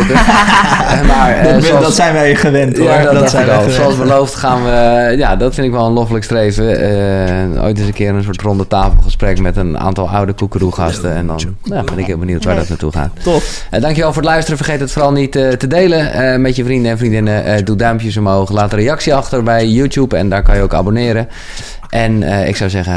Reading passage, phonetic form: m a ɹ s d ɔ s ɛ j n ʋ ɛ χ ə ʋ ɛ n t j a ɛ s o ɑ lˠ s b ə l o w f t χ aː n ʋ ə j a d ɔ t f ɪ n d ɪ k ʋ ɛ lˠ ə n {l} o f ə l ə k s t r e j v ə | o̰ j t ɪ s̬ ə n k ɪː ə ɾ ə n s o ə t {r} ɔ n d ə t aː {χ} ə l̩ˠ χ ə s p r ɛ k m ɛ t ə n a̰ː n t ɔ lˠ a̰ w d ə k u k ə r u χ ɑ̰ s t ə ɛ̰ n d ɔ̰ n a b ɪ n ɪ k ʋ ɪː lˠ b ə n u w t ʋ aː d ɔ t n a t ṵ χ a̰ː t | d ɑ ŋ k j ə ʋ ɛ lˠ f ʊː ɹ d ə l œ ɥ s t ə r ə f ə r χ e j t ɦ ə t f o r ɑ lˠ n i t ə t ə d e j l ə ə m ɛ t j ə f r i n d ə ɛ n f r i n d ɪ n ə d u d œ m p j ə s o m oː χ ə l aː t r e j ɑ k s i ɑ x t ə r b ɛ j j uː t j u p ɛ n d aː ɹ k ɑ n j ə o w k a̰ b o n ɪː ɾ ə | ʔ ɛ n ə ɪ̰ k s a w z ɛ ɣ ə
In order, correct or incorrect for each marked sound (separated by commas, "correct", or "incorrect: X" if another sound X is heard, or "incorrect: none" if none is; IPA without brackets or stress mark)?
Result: correct, correct, incorrect: f